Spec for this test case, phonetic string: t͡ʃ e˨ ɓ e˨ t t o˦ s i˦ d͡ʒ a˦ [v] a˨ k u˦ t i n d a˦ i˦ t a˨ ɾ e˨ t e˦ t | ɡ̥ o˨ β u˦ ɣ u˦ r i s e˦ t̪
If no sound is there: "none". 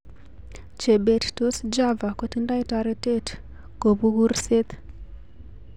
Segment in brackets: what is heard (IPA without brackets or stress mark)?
v